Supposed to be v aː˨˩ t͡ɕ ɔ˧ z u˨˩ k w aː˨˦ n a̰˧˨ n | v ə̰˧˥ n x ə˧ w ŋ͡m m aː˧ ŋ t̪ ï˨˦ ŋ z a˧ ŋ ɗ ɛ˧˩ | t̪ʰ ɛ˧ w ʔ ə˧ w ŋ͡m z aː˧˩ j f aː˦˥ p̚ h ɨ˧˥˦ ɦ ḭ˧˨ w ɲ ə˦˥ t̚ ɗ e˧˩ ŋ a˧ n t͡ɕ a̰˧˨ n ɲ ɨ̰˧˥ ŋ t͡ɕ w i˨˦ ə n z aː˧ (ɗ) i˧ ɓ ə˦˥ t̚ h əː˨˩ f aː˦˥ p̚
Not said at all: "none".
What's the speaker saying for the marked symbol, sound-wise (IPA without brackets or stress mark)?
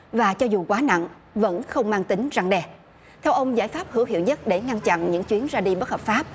ɗ